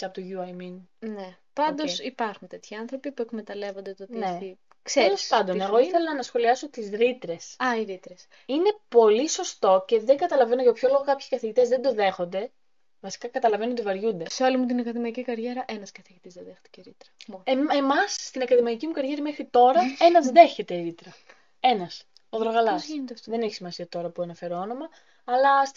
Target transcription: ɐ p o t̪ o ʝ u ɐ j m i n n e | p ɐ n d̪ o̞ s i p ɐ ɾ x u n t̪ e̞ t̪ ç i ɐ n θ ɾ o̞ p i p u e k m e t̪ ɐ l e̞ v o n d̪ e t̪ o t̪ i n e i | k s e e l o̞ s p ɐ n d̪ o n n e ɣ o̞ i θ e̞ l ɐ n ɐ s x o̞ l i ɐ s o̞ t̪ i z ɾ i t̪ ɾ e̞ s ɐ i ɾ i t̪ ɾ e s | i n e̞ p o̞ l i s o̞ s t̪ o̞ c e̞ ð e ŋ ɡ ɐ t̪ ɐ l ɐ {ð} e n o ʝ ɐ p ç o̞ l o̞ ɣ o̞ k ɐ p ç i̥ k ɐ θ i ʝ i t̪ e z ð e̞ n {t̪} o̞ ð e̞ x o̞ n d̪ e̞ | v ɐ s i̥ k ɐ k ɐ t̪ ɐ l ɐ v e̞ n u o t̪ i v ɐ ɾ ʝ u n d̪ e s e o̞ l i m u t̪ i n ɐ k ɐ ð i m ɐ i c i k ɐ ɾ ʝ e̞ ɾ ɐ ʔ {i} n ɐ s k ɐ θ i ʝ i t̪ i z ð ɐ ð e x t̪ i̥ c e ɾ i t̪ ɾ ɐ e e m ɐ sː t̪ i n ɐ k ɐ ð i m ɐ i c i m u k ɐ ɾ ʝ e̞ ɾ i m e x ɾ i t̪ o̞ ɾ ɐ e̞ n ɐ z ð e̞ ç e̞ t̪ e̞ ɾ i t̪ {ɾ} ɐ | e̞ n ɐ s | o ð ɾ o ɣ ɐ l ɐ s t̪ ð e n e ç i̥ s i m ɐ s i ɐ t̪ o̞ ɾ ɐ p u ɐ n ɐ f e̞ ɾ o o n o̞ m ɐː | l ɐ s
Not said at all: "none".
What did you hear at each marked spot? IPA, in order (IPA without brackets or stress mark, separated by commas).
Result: v, d̪, e, ɾ